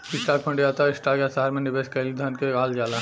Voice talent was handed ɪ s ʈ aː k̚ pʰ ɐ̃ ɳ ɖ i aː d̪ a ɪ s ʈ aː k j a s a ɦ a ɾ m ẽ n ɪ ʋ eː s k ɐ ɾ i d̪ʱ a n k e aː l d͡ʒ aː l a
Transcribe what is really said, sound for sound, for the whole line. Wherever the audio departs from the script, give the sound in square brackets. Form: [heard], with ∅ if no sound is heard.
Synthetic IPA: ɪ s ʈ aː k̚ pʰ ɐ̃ ɳ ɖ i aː [t̪] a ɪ s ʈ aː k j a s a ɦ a ɾ m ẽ n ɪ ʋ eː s k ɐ [l] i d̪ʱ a n k e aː l d͡ʒ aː l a